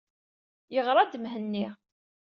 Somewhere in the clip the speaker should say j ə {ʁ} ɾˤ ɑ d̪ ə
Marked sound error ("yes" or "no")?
no